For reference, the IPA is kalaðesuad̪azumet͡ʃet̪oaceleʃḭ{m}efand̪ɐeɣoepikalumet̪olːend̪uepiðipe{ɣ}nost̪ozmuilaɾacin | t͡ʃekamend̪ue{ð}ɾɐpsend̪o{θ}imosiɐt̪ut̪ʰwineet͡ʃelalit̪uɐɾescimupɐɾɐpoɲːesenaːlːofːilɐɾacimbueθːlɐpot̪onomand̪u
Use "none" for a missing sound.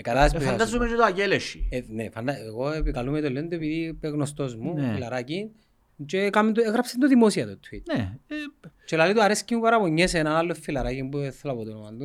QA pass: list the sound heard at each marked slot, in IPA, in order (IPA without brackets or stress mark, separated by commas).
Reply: n, ɣ, ɣ, ð